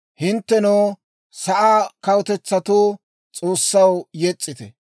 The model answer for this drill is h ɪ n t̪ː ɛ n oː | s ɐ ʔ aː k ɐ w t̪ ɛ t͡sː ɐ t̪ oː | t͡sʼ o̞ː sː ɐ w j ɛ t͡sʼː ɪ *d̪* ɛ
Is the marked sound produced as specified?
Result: no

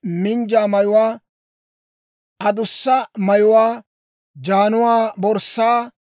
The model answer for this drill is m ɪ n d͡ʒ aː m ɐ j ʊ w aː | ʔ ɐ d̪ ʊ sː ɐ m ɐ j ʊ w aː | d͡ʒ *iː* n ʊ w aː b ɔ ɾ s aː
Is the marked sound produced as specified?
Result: no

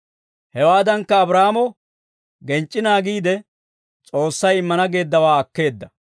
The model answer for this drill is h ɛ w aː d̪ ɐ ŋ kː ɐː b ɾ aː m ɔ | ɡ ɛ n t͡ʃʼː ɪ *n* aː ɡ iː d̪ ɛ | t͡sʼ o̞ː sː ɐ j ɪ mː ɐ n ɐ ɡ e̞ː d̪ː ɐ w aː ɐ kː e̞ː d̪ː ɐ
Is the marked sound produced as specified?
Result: yes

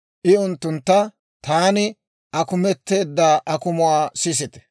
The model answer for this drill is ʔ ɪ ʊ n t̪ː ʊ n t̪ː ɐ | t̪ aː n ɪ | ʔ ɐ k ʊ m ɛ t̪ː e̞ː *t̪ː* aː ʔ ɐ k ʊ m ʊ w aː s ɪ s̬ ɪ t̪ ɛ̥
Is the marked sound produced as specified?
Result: no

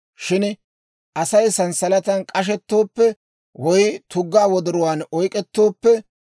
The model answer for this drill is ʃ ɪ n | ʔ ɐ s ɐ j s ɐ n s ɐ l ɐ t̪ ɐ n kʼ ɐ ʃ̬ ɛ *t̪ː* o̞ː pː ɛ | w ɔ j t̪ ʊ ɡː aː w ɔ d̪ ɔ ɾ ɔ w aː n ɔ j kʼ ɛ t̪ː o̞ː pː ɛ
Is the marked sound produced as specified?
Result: yes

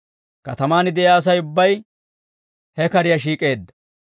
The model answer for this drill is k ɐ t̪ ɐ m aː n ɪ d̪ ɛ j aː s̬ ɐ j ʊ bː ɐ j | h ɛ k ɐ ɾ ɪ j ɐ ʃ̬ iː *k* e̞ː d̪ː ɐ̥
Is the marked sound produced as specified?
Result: no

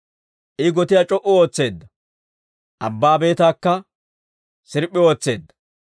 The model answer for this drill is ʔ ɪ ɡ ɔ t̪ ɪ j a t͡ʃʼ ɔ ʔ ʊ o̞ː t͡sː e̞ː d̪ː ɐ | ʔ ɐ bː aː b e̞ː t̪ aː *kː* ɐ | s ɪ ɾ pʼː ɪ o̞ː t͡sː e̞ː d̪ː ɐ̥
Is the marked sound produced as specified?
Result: yes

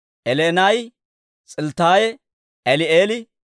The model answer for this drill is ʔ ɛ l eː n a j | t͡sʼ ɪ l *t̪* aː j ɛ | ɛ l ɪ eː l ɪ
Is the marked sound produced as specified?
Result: yes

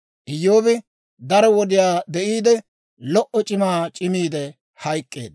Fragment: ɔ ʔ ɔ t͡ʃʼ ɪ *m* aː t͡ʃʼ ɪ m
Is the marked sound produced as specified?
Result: yes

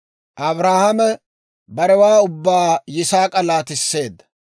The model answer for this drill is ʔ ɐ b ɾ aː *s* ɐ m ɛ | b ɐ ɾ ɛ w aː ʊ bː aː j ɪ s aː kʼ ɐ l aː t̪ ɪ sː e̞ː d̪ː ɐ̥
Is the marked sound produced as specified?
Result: no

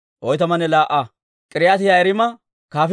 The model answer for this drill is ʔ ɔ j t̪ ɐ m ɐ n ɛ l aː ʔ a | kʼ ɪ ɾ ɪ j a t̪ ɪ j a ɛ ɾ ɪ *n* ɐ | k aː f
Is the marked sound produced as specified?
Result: no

